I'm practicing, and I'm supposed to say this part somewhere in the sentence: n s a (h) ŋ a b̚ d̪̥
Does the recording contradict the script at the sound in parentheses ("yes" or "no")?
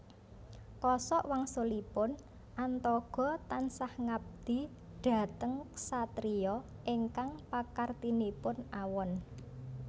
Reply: no